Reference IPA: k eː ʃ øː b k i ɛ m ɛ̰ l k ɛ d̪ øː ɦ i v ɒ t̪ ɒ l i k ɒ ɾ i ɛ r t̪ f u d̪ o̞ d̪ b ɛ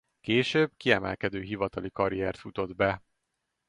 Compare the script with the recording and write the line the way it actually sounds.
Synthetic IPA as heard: k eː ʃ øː b k i ɛ m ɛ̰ l k ɛ d̪ øː ɦ i v ɒ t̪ ɒ l i k ɒ ɾ i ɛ r t̪ f u t̪ o̞ d̪ b ɛ